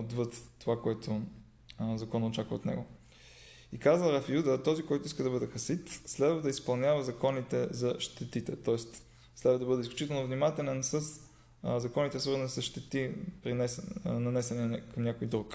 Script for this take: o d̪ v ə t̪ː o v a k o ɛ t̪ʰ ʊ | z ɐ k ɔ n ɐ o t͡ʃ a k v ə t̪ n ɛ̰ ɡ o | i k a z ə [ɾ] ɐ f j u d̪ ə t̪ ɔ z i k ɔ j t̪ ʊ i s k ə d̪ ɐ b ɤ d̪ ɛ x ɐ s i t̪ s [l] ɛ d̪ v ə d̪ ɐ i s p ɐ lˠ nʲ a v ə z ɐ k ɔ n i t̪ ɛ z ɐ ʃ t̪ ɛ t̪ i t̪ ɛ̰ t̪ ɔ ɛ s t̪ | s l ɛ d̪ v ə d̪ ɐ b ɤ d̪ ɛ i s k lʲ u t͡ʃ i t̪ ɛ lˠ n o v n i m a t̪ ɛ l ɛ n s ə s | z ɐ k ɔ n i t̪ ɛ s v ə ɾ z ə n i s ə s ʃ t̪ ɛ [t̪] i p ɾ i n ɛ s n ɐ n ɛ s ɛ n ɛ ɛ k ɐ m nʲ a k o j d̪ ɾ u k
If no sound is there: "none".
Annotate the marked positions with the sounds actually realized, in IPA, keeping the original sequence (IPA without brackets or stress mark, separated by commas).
ɾ, l, t̪